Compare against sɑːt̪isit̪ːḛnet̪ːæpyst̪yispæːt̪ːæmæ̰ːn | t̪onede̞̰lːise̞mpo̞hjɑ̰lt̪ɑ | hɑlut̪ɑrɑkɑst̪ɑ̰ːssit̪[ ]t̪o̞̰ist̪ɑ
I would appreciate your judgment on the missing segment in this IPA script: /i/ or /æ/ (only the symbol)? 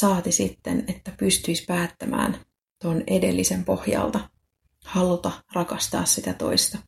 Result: æ